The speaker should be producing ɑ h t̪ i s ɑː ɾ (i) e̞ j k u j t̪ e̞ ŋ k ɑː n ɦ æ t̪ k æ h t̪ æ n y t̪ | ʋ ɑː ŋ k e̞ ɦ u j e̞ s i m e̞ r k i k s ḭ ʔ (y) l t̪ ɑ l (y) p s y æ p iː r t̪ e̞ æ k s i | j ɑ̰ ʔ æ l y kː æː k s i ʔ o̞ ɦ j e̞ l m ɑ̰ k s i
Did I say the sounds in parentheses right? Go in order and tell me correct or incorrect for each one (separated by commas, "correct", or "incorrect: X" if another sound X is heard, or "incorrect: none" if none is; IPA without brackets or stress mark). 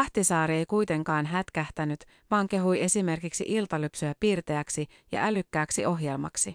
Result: correct, incorrect: i, correct